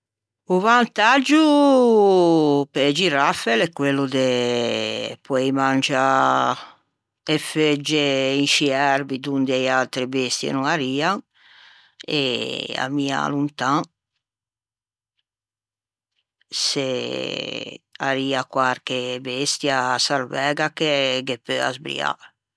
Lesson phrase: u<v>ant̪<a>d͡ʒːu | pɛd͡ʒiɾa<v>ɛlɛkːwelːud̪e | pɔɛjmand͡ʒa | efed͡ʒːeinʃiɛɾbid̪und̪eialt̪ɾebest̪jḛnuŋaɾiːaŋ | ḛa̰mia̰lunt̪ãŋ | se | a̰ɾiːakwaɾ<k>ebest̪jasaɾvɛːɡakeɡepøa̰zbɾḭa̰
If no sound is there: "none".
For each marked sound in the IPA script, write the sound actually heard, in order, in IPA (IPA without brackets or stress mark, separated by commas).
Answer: v, a, f, k